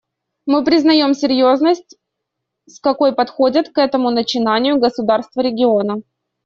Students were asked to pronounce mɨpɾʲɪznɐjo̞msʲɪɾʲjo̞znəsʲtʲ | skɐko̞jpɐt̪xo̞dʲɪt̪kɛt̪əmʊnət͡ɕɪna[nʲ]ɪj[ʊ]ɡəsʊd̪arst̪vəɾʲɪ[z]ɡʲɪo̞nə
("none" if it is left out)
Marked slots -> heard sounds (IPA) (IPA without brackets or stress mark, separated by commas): nʲ, ʊ, none